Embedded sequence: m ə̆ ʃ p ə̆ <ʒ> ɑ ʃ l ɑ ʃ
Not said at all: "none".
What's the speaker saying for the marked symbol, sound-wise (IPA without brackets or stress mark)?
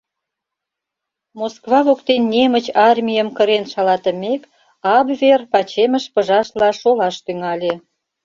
ʒ